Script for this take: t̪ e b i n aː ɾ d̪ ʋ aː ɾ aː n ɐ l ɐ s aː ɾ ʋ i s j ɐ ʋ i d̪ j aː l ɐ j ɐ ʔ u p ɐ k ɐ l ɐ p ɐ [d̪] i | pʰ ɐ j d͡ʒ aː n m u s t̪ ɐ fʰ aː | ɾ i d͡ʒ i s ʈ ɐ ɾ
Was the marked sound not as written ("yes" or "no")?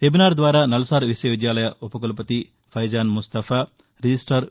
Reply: yes